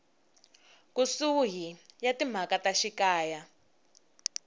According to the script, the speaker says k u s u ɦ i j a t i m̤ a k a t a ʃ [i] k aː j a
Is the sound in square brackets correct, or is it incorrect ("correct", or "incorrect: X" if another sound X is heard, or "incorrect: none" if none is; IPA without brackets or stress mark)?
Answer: correct